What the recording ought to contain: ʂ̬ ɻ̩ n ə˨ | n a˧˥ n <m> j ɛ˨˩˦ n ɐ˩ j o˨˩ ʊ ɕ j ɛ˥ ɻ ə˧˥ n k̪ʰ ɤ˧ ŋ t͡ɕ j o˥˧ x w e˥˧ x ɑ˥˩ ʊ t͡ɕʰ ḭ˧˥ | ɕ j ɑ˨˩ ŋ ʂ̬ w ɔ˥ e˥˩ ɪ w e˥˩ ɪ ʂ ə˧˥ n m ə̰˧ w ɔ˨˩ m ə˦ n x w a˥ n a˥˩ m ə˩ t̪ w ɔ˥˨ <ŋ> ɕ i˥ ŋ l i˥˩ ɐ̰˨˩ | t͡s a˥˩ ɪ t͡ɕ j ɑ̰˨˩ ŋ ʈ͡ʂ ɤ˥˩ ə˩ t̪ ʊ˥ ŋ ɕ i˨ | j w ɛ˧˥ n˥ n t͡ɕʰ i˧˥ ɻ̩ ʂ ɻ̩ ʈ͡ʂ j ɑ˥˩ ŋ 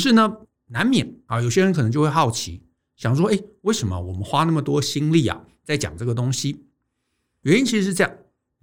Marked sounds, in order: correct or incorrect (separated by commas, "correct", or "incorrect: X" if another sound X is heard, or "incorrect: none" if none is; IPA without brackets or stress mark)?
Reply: correct, incorrect: none